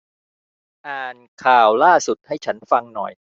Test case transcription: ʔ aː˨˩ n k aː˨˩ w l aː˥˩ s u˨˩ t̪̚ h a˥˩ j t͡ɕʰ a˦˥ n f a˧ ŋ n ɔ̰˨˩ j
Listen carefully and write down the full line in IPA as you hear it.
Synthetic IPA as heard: ʔ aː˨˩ n kʰ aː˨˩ w l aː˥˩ s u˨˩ t̪̚ h a˥˩ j t͡ɕʰ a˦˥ n f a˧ ŋ n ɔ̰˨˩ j

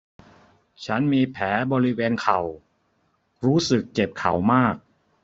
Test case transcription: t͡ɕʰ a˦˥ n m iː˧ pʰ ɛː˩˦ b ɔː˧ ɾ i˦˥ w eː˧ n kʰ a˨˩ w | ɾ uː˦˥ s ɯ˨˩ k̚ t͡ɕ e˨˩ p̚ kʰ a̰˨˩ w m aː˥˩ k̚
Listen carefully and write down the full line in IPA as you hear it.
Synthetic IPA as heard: t͡ɕʰ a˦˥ n m iː˧ pʰ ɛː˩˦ b ɔː˧ ɾ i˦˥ w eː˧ n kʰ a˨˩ w | ɾ uː˦˥ s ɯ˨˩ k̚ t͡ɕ e˨˩ p̚ kʰ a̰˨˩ w m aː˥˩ k̚

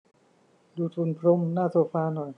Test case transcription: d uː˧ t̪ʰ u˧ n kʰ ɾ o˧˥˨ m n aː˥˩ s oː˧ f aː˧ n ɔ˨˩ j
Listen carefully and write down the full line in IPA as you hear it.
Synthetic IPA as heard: d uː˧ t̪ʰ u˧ n pʰ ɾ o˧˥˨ m n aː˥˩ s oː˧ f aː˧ n ɔ˨˩ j

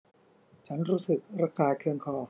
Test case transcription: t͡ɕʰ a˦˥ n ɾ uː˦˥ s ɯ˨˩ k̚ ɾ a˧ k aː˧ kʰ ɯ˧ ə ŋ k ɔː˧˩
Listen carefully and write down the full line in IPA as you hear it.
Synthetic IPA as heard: t͡ɕʰ a˦˥ n ɾ uː˦˥ s ɯ˨˩ k̚ ɾ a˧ k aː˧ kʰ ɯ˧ ə ŋ kʰ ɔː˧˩

